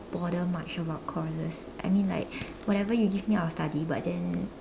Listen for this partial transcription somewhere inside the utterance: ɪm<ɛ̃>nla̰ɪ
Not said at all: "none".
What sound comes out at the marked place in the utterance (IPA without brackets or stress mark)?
ĩ